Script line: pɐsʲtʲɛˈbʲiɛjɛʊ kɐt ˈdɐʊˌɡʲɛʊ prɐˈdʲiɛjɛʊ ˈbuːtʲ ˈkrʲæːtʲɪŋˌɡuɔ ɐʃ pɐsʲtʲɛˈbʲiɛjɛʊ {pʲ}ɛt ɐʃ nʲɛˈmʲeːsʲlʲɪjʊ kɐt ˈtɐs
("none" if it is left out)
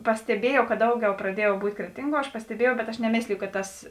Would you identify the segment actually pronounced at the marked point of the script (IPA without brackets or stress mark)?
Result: bʲ